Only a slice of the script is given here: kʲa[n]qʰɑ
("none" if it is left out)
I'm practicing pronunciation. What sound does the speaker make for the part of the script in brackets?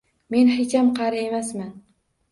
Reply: m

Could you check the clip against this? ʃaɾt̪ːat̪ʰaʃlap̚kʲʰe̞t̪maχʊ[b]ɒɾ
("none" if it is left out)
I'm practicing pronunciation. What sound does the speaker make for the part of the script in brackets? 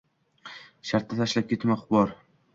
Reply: b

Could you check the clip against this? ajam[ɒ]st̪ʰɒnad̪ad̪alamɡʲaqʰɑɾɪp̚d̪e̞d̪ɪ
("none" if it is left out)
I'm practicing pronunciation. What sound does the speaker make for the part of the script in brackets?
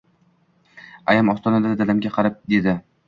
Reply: ɒ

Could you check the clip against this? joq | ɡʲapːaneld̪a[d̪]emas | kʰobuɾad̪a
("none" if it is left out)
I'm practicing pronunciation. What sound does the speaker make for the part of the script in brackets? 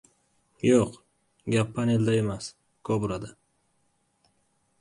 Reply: none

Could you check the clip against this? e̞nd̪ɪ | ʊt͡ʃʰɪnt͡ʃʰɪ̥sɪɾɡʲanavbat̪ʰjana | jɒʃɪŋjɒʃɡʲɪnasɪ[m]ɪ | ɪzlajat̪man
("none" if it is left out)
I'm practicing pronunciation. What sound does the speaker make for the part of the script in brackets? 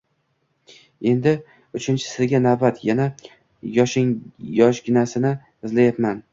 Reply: n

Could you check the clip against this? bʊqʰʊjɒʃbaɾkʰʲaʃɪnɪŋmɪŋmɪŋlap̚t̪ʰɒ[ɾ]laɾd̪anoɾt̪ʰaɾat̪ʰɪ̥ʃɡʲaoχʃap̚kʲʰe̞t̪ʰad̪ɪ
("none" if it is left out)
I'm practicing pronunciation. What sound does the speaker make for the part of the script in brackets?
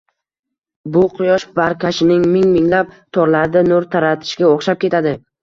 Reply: ɾ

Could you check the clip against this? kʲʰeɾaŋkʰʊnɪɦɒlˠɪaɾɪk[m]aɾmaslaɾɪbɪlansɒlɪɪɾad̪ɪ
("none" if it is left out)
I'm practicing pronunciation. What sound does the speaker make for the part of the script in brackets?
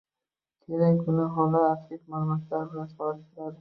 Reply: m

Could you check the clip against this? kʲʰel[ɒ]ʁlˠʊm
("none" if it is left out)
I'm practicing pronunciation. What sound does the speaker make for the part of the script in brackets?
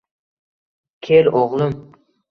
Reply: o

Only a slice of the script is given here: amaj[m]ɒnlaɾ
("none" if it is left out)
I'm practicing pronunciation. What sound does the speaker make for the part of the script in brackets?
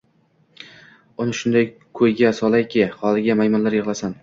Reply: m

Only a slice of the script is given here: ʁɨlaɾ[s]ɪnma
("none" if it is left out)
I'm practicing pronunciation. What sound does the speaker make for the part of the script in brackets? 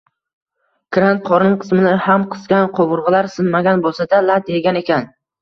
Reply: s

